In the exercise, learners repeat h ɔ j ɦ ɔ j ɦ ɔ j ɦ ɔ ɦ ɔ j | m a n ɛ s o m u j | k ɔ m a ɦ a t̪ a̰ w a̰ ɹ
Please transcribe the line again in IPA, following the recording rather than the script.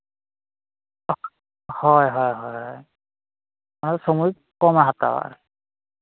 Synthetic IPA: h ɔ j ɦ ɔ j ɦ ɔ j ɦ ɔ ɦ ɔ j | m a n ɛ s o m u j | k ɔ m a ɦ a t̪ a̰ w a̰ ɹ